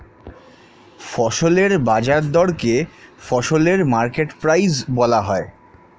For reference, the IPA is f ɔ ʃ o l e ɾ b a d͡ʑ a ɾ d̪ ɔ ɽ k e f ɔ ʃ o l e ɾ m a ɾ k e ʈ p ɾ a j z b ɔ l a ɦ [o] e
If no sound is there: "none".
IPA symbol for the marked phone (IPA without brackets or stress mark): ɔ